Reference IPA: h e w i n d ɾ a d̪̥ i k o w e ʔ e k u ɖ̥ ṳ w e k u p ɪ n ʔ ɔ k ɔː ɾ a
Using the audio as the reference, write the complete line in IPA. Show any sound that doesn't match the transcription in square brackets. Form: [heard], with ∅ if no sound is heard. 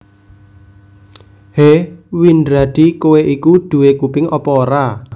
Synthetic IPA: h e w i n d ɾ a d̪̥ i k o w e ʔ [i] k u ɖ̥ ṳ w e k u p ɪ [ŋ] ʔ ɔ [p] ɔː ɾ a